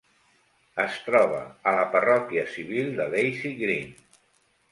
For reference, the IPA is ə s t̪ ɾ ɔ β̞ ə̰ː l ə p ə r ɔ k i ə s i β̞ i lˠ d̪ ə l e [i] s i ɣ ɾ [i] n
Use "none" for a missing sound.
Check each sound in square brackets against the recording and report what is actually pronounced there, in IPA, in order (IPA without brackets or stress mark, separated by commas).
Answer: j, i